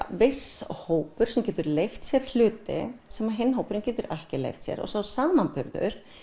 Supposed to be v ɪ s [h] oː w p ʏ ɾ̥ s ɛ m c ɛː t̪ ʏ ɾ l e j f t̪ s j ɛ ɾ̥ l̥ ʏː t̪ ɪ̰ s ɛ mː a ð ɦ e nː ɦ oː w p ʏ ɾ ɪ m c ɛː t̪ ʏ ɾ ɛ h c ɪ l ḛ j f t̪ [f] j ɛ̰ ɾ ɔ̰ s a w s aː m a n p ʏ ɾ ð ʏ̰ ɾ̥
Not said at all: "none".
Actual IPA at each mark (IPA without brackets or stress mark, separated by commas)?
h, s